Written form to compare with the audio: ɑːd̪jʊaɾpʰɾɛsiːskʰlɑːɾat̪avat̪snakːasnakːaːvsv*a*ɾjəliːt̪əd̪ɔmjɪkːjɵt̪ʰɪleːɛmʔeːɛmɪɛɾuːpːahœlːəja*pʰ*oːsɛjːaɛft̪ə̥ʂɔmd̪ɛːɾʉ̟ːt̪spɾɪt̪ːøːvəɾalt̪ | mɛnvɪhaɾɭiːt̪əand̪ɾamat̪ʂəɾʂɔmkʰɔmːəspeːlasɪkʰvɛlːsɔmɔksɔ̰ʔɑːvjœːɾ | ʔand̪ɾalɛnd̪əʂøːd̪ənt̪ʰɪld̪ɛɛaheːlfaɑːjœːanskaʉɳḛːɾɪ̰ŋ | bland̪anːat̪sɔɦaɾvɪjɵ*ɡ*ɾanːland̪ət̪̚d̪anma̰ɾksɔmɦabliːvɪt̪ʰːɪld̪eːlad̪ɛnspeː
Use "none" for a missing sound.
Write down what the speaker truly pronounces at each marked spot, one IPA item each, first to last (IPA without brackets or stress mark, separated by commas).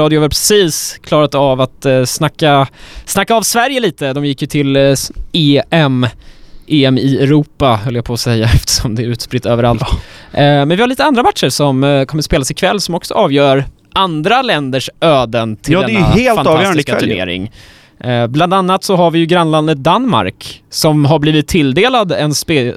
æ, pʰ, ɡ